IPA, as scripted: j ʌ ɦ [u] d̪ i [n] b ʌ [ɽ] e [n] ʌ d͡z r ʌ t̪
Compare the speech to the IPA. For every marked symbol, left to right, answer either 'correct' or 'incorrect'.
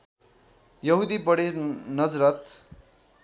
correct, incorrect: none, correct, correct

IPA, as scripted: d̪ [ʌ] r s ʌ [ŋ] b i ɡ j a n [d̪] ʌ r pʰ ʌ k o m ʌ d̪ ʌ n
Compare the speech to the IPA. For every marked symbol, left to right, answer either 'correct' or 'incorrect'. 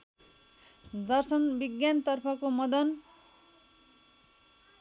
correct, incorrect: n, incorrect: t̪

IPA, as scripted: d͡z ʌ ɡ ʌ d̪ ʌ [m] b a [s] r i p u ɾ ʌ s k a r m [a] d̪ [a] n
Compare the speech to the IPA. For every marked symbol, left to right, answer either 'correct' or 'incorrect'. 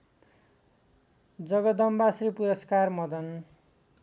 correct, correct, incorrect: ʌ, incorrect: ʌ

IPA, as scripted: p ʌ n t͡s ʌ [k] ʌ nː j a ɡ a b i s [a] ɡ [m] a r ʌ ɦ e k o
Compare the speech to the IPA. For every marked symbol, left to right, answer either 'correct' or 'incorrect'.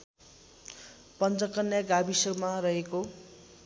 correct, incorrect: ʌ, correct

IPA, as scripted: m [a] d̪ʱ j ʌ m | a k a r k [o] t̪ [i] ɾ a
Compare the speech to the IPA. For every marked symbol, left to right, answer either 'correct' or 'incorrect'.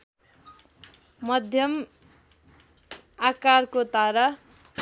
incorrect: ʌ, correct, incorrect: a

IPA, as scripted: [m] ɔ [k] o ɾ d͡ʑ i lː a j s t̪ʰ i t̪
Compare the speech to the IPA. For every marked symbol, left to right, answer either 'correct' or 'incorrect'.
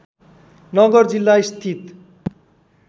incorrect: n, incorrect: ɡ

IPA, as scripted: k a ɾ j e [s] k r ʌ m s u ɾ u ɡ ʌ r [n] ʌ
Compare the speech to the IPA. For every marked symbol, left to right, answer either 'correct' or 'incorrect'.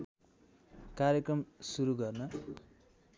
incorrect: none, correct

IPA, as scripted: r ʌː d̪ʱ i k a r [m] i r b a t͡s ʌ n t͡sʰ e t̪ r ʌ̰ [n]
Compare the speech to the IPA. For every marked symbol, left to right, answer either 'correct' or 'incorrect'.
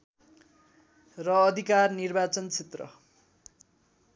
incorrect: n, incorrect: none

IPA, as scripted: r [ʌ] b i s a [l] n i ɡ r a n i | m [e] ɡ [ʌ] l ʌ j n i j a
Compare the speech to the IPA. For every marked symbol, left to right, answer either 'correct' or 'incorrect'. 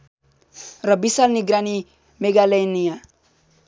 correct, correct, correct, incorrect: a

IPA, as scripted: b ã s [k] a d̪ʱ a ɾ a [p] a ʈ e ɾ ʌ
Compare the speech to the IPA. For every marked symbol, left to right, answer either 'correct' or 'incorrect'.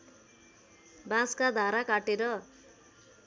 correct, incorrect: k

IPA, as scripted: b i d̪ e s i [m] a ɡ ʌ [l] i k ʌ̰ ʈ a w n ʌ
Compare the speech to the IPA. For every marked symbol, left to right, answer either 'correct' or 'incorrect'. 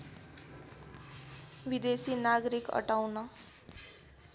incorrect: n, incorrect: ɾ

